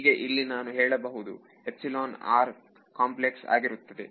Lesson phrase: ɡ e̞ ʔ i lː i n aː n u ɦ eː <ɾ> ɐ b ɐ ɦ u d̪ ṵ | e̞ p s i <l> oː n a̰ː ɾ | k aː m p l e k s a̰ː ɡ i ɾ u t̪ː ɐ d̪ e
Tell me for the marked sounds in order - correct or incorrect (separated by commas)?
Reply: incorrect, correct